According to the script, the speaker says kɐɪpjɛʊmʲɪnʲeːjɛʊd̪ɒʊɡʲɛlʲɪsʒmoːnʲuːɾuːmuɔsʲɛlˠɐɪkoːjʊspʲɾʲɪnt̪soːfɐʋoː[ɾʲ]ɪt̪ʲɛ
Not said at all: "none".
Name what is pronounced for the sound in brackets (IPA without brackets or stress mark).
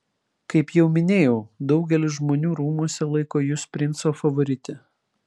ɾʲ